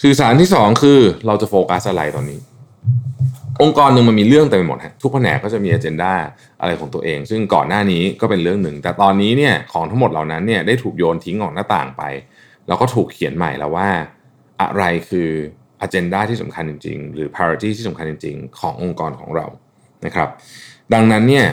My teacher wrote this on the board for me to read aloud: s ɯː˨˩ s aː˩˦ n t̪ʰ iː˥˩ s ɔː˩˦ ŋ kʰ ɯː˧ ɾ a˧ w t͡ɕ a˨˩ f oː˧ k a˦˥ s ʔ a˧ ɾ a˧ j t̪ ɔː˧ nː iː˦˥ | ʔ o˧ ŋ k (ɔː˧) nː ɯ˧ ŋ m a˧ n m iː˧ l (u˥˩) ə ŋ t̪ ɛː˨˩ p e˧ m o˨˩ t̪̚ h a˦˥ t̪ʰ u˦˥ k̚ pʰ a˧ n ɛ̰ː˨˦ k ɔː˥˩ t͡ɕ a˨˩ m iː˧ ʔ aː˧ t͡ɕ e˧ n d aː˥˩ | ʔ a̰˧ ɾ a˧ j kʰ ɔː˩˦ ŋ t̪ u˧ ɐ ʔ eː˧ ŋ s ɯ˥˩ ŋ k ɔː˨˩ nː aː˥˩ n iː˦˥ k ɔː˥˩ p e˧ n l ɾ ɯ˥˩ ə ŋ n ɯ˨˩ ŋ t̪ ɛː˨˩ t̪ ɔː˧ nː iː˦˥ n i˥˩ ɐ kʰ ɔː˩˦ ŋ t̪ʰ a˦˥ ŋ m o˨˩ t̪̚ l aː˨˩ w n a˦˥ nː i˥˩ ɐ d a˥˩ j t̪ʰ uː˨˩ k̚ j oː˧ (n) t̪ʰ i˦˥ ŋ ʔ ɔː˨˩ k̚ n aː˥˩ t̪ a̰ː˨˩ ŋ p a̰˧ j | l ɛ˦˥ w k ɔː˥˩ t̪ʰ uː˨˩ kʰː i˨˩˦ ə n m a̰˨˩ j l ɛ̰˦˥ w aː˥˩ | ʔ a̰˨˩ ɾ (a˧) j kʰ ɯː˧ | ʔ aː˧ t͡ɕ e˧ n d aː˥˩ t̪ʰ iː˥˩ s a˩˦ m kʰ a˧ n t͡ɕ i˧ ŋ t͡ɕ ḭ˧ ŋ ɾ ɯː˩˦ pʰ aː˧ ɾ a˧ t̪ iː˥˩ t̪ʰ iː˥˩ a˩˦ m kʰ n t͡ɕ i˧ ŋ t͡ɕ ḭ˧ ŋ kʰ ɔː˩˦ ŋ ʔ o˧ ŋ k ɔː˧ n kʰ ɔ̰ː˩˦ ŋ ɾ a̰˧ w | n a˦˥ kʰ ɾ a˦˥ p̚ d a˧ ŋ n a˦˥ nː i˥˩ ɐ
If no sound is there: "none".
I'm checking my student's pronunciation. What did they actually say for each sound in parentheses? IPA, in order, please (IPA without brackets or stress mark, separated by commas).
ɔː˧, ɯ˥˩, n, a˧